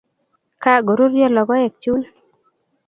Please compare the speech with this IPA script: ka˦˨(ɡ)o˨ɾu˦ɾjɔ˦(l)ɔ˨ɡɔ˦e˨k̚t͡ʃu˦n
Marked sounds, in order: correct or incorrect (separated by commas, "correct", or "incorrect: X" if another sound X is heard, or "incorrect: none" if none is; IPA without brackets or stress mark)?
correct, correct